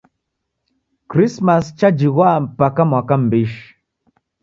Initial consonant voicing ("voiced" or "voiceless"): voiceless